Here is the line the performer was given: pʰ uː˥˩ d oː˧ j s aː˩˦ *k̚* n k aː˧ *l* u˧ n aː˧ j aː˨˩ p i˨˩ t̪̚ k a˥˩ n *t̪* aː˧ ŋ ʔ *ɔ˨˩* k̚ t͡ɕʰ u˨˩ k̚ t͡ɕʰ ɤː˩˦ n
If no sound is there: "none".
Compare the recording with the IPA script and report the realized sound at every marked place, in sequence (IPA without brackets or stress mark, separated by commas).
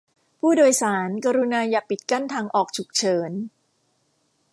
none, ɾ, t̪ʰ, ɔː˨˩